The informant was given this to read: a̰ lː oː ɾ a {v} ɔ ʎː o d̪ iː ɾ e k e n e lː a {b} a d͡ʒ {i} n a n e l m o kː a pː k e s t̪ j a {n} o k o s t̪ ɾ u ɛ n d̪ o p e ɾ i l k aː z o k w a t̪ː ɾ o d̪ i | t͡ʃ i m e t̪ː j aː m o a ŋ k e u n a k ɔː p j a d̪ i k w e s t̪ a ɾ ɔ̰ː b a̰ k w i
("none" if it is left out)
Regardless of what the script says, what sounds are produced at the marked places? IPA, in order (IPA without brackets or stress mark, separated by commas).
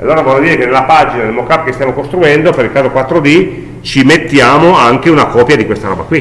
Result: v, p, i, m